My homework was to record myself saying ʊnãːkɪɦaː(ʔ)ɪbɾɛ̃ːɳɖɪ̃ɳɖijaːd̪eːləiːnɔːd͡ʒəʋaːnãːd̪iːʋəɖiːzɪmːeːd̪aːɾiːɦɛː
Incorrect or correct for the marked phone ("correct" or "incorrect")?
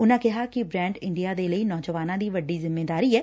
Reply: incorrect